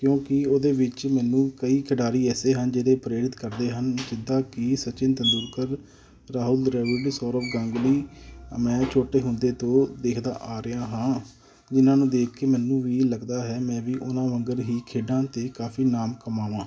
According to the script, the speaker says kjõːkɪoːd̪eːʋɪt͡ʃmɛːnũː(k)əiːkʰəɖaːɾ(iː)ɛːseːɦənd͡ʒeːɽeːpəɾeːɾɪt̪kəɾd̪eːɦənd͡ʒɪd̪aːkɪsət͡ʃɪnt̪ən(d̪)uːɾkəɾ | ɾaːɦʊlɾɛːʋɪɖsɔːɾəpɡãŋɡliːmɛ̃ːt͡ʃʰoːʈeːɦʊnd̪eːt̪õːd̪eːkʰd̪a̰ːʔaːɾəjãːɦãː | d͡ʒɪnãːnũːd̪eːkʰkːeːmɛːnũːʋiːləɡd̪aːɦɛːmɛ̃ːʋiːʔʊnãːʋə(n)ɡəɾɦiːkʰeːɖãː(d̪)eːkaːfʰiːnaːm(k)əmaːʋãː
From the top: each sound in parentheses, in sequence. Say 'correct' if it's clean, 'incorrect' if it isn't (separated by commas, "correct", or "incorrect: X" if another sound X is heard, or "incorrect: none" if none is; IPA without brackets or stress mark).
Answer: correct, correct, correct, incorrect: ŋ, incorrect: t̪, correct